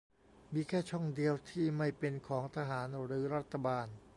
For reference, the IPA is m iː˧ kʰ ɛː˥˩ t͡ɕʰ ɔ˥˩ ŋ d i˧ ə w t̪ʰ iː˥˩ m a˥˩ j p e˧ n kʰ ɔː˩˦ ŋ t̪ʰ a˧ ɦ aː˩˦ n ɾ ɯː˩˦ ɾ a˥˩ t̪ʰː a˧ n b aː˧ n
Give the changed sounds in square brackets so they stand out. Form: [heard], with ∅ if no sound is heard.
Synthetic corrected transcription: m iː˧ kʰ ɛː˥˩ t͡ɕʰ ɔ˥˩ ŋ d i˧ ə w t̪ʰ iː˥˩ m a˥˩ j p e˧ n kʰ ɔː˩˦ ŋ t̪ʰ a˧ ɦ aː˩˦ n ɾ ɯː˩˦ ɾ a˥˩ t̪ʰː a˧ [∅] b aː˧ n